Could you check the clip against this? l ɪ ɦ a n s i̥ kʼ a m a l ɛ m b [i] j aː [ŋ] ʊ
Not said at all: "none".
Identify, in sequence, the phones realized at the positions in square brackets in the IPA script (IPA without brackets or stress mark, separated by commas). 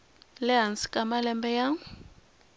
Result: ɛ, ŋ